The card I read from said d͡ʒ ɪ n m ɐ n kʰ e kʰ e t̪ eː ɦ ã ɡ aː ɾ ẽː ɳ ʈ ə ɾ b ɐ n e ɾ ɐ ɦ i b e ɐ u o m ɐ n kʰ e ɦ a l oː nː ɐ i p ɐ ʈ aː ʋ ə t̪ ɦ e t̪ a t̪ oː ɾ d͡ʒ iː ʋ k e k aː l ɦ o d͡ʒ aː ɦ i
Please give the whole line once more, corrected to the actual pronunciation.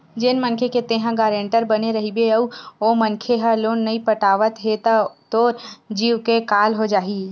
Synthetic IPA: d͡ʒ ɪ n m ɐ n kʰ e k e t̪ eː ɦ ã ɡ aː ɾ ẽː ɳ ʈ ə ɾ b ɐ n e ɾ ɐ ɦ i b e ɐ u o m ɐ n kʰ e ɦ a l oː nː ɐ i p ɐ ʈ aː ʋ ə t̪ ɦ e t̪ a t̪ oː ɾ d͡ʒ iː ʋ k e k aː l ɦ o d͡ʒ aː ɦ i